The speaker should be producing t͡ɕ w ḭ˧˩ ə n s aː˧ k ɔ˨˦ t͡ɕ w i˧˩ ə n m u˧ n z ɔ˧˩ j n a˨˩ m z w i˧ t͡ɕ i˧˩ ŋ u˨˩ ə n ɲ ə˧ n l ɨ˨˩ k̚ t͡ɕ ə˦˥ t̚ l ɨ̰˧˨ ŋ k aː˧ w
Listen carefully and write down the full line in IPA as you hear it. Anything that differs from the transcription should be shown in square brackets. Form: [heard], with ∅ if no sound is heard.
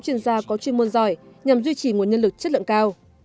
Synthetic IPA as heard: t͡ɕ w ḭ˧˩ ə n [z] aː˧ k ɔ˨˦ t͡ɕ w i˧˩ ə n m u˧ n z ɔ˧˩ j [ɲ] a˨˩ m z w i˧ t͡ɕ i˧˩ ŋ u˨˩ ə n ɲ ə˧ n l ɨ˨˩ k̚ t͡ɕ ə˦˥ t̚ l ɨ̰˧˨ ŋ k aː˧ w